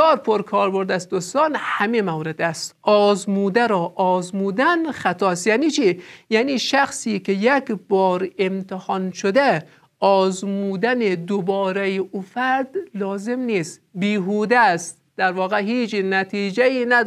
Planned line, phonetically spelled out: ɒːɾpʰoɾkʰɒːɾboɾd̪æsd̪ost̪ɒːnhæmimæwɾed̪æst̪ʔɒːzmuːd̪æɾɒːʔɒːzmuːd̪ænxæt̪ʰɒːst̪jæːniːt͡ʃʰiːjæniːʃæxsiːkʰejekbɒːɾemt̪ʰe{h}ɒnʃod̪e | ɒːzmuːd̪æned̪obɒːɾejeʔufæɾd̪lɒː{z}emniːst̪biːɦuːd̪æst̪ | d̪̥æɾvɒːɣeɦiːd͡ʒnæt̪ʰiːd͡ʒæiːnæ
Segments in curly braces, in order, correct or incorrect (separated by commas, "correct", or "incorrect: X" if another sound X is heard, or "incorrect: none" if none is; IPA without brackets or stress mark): correct, correct